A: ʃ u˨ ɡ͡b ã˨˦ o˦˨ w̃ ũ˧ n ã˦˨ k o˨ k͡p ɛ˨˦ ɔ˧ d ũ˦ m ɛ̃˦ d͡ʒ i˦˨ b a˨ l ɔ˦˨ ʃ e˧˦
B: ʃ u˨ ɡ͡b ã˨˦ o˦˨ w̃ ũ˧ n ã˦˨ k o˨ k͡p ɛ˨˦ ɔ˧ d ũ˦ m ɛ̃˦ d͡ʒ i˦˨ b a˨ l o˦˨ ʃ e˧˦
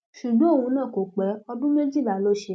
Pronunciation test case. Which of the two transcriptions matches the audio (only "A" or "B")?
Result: B